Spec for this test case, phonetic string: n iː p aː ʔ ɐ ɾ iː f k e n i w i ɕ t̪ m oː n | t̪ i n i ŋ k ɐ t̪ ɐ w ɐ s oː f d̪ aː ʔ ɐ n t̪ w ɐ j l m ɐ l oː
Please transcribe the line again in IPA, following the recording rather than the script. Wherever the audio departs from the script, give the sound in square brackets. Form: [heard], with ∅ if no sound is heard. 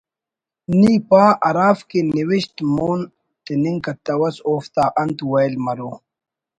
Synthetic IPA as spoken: n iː p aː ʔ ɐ ɾ [aː] f k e n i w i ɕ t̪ m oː n | t̪ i n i ŋ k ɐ t̪ ɐ w ɐ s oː f [t̪] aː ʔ ɐ n t̪ w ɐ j l m ɐ [ɾ] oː

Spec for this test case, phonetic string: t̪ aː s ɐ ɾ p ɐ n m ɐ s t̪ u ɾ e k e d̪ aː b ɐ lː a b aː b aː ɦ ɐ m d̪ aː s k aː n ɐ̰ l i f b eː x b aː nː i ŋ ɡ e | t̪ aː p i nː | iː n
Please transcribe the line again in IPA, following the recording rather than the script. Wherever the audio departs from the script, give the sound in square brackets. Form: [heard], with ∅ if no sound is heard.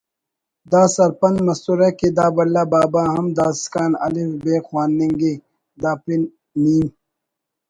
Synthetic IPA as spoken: [d̪] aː s ɐ ɾ p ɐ n m ɐ s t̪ u ɾ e k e d̪ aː b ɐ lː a b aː b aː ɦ ɐ m d̪ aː s k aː n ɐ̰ l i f b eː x [w] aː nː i ŋ ɡ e | [d̪] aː p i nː | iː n

